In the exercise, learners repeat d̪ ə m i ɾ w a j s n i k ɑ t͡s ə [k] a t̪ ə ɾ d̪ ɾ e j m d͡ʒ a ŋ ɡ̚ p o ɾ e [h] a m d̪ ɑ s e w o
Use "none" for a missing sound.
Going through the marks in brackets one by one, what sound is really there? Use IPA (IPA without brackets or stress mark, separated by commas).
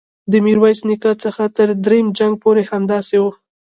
x, h